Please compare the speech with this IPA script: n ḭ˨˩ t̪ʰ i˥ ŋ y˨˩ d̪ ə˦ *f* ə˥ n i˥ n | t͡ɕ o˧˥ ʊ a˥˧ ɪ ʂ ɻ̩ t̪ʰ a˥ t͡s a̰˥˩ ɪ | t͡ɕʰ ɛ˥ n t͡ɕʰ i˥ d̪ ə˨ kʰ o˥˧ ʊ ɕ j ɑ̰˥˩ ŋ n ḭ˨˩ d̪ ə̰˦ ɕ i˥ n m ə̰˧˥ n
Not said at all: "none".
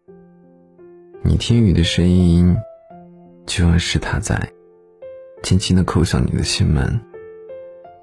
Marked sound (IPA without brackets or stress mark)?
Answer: ʂ